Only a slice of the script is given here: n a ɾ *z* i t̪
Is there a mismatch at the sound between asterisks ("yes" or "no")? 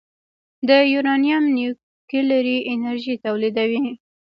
yes